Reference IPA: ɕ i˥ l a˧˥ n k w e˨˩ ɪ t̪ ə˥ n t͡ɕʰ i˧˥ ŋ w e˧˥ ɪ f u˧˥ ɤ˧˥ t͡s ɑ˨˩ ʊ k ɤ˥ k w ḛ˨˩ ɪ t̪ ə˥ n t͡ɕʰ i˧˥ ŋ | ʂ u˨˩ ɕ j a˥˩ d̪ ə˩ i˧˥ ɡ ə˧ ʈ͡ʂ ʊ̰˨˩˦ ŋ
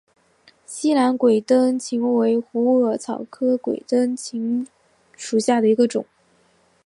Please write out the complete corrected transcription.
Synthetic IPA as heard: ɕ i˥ l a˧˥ n k w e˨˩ ɪ t̪ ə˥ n t͡ɕʰ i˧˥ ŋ w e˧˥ ɪ x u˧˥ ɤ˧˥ t͡sʰ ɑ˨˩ ʊ kʰ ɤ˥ k w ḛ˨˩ ɪ t̪ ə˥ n t͡ɕʰ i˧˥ ŋ | ʂ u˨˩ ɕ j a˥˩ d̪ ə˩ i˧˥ ɡ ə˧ ʈ͡ʂ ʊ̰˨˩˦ ŋ